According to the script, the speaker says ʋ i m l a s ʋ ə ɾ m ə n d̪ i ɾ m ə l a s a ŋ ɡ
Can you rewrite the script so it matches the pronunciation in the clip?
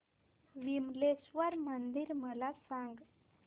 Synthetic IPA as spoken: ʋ i m l e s ʋ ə ɾ m ə n d̪ i ɾ m ə l a s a ŋ ɡ